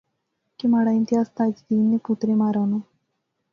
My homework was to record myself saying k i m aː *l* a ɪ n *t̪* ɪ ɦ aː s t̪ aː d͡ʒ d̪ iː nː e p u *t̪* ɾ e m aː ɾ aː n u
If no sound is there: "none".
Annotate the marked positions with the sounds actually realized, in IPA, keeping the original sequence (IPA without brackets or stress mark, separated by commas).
ɽ, t̪, t̪